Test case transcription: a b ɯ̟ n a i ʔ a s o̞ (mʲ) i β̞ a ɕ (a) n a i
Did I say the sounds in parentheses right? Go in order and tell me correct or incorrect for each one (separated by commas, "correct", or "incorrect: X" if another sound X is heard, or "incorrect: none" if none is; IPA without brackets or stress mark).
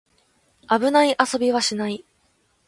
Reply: incorrect: bʲ, incorrect: i